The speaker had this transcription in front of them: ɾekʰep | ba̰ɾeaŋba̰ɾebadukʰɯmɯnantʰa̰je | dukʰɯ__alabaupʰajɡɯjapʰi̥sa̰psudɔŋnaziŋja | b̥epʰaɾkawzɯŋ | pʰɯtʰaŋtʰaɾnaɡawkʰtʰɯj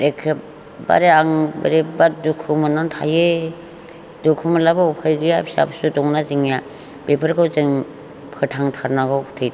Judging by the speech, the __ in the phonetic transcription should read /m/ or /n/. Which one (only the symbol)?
m